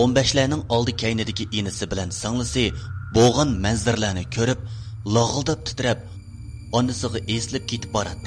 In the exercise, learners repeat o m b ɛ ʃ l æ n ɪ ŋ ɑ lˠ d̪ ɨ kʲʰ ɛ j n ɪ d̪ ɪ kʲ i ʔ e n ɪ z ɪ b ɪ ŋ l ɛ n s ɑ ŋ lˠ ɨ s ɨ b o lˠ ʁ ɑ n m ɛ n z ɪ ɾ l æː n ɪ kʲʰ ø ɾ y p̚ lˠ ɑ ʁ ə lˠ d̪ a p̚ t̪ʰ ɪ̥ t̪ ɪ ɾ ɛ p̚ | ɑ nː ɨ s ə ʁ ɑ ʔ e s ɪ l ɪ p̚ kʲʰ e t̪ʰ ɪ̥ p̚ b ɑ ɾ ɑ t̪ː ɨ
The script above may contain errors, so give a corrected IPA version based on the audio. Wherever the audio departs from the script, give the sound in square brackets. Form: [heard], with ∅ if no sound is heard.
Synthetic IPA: o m b ɛ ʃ l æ n ɪ ŋ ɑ lˠ d̪ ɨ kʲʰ ɛ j n ɪ d̪ ɪ kʲ i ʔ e n ɪ [s] ɪ b ɪ [∅] l ɛ n s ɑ ŋ lˠ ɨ s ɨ b o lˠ ʁ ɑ n m ɛ n z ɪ ɾ l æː n ɪ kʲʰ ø ɾ y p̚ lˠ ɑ ʁ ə lˠ d̪ [ɑ] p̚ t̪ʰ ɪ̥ t̪ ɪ ɾ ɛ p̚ | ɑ nː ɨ s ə ʁ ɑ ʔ e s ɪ l ɪ p̚ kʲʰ e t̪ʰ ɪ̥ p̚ b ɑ ɾ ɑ t̪ː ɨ